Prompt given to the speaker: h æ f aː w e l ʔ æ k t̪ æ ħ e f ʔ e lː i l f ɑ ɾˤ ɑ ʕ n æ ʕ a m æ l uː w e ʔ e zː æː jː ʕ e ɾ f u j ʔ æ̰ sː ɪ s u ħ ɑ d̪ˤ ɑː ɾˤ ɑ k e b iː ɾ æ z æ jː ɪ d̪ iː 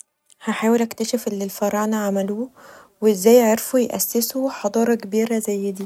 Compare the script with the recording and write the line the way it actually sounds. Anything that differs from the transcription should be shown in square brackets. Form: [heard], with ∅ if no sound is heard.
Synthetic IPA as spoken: h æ [ħ] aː w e l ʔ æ k t̪ æ [ʃ] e f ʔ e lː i l f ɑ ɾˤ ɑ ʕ n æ ʕ a m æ l uː w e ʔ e zː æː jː ʕ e ɾ f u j ʔ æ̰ sː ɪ s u ħ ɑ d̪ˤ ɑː ɾˤ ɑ k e b iː ɾ æ z æ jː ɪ d̪ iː

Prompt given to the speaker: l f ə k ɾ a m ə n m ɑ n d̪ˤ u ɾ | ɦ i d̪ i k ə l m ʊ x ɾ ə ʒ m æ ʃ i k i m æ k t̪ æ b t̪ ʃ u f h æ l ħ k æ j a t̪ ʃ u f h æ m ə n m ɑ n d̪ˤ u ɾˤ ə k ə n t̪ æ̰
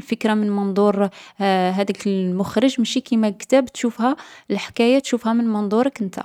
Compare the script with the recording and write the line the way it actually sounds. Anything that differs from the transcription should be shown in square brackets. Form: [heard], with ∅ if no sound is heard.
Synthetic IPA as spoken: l f ə k ɾ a m ə n m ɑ n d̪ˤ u ɾ | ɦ [æ] d̪ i k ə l m ʊ x ɾ ə ʒ m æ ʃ i k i m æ k t̪ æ b t̪ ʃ u f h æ l ħ k æ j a t̪ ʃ u f h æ m ə n m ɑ n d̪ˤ u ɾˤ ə k ə n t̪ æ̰

